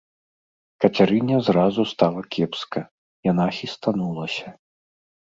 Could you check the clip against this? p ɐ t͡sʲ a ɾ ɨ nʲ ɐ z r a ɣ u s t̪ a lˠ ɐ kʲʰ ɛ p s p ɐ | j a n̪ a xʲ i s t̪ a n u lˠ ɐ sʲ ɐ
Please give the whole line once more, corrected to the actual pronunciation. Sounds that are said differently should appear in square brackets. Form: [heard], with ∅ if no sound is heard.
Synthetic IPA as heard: [k] ɐ t͡sʲ a ɾ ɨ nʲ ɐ z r a [z] u s t̪ a lˠ ɐ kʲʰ ɛ p s [k] ɐ | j a n̪ a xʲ i s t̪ a n u lˠ ɐ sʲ ɐ